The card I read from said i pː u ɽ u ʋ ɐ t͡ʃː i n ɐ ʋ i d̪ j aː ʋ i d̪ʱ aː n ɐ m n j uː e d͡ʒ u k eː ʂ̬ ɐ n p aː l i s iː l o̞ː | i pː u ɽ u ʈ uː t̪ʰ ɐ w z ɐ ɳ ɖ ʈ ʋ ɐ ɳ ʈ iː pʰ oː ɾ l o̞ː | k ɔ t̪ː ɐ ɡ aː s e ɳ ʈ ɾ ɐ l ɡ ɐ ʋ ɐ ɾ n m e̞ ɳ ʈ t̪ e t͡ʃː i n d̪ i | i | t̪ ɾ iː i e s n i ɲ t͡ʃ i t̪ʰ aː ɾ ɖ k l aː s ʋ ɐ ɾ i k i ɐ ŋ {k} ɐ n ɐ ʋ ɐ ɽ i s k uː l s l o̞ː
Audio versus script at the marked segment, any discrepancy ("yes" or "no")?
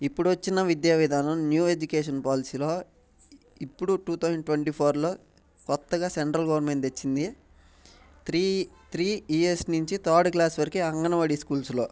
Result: yes